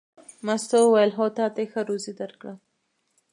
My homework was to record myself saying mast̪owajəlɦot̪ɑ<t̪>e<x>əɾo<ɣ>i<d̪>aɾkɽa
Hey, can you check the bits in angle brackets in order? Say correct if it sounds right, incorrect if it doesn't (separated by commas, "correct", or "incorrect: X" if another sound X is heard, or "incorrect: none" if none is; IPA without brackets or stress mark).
correct, correct, incorrect: z, correct